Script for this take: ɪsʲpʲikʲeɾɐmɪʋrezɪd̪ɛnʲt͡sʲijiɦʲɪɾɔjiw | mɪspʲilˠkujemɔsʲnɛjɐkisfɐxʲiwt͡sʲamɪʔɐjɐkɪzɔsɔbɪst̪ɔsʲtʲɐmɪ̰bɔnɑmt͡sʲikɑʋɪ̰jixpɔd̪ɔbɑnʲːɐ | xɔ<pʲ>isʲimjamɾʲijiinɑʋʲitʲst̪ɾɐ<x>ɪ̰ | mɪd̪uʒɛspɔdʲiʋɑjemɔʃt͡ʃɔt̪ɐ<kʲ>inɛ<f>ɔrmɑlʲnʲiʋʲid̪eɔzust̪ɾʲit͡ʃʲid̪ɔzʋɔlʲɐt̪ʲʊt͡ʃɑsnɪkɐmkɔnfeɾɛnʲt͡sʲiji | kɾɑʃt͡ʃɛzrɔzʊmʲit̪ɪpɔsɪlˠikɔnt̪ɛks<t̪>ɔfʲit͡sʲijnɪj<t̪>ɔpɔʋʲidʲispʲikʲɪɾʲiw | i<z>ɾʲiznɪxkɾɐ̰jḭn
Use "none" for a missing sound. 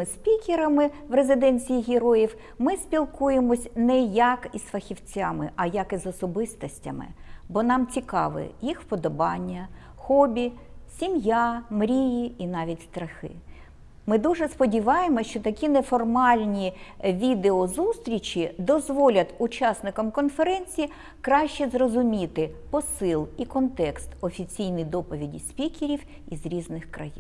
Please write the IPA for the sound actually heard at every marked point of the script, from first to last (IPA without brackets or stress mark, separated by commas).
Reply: bʲ, x, kʲ, f, t̪, d̪, z